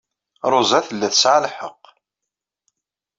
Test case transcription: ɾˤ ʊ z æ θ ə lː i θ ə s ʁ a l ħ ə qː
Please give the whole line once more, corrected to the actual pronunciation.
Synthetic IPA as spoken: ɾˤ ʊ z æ θ ə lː æ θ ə s ʕ a l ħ ə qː